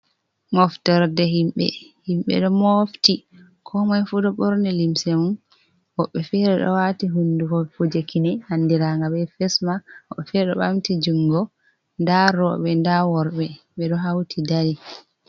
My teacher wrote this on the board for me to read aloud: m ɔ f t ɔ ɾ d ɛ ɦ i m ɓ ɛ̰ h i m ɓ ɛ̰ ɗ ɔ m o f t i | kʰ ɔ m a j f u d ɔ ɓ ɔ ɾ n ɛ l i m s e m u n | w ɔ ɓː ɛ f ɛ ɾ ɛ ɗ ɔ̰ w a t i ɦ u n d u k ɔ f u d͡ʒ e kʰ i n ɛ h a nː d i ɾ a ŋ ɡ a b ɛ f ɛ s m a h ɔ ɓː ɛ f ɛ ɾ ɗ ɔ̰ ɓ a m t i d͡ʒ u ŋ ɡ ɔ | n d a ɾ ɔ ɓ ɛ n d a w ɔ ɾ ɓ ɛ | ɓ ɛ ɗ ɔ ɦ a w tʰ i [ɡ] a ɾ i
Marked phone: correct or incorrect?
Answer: incorrect